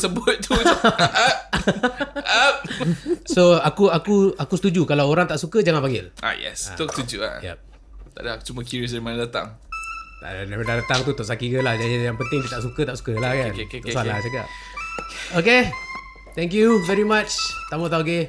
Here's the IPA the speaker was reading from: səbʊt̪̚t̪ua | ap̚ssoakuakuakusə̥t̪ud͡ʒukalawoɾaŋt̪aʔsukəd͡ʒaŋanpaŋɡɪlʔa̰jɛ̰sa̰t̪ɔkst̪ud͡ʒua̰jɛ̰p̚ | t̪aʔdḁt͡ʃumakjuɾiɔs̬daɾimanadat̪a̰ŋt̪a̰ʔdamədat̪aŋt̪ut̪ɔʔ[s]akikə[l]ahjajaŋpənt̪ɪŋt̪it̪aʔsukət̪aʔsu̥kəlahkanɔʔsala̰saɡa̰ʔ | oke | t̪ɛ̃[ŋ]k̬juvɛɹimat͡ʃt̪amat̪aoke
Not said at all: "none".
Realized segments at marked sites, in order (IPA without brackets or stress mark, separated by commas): s, l, ŋ